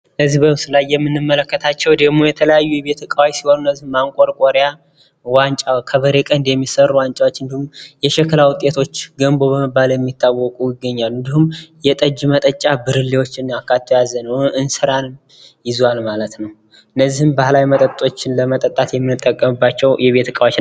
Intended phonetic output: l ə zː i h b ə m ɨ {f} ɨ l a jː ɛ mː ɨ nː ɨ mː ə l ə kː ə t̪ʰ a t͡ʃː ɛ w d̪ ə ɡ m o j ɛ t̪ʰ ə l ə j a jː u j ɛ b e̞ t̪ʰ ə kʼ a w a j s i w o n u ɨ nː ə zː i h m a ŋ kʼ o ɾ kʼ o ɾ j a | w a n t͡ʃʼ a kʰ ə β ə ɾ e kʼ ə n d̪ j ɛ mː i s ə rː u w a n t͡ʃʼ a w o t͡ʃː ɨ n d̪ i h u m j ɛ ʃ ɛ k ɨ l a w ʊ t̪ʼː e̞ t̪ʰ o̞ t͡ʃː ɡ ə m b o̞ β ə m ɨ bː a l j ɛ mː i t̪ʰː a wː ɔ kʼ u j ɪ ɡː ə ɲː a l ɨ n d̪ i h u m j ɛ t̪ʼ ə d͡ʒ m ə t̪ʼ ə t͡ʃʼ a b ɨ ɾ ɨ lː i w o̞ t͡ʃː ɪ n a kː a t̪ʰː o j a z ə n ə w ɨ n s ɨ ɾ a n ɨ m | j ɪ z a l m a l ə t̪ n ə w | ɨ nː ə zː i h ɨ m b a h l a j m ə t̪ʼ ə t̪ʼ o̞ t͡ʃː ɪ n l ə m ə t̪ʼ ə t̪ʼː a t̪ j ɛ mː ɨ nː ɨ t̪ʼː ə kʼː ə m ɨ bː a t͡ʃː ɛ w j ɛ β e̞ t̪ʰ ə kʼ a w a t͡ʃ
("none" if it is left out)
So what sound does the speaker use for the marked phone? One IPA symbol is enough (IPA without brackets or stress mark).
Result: s